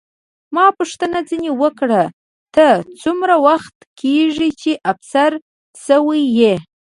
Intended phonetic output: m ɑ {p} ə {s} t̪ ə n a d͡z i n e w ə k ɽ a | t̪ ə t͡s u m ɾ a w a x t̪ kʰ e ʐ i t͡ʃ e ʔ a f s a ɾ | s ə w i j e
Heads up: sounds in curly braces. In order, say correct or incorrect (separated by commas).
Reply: correct, incorrect